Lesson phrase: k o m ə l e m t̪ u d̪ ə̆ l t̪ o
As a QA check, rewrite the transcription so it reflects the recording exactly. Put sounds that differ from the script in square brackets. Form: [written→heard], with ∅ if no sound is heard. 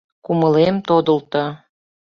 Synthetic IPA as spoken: k [o→u] m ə l e m t̪ [u→o] d̪ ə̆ l t̪ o